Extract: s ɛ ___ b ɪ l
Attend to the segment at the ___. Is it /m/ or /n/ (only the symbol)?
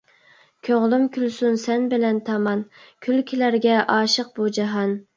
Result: n